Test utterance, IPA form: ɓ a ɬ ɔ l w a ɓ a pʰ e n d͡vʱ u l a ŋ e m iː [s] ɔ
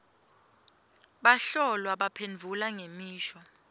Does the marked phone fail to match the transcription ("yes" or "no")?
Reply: yes